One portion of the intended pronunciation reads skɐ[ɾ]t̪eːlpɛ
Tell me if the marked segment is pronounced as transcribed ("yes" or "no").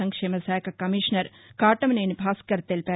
yes